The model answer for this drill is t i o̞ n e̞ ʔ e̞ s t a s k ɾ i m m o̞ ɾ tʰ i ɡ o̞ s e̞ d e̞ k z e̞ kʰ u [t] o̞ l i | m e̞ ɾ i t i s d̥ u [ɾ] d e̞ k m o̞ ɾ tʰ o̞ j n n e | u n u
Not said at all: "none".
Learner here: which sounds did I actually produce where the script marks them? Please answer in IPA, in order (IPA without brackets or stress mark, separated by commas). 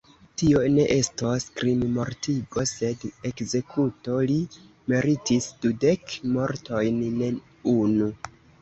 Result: t, none